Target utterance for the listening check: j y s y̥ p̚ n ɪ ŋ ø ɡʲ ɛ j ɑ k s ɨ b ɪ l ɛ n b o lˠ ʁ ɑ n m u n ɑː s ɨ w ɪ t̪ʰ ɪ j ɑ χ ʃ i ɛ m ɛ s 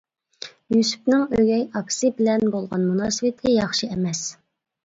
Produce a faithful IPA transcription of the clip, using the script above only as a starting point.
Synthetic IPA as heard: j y s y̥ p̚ n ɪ ŋ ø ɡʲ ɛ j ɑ k s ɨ b ɪ l ɛ n b o lˠ ʁ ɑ n m u n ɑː s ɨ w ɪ t̪ʰ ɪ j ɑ χ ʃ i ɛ m ɛ s